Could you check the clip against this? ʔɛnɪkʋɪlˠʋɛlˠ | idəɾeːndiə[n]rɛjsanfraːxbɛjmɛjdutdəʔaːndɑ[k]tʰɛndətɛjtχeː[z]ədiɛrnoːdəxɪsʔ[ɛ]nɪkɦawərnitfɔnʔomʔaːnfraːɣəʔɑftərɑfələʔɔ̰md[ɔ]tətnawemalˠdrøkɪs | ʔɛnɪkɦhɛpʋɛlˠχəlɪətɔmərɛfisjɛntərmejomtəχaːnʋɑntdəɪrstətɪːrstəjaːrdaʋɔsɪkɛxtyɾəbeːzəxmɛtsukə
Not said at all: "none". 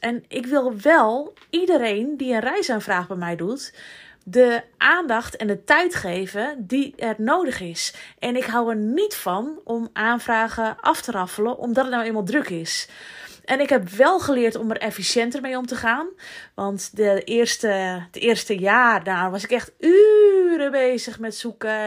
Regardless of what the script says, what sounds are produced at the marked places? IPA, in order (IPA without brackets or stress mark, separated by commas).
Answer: n, x, v, ɛ, ɔ